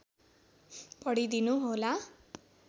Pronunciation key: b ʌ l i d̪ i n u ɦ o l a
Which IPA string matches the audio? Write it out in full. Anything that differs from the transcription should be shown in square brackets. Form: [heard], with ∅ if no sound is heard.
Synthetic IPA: [p] ʌ [ɽ] i d̪ i n u ɦ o l a